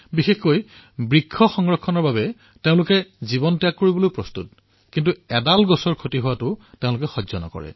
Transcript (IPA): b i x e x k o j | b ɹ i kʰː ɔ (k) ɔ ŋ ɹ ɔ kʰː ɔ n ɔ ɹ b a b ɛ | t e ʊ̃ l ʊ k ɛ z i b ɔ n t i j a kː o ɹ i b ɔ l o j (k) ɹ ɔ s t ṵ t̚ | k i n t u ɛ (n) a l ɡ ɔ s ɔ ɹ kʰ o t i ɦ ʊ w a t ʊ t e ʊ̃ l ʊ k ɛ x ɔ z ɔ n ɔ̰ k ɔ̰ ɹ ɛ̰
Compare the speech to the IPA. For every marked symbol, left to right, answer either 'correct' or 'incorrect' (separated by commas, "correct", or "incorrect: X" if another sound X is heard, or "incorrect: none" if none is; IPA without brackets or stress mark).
incorrect: x, incorrect: p, incorrect: d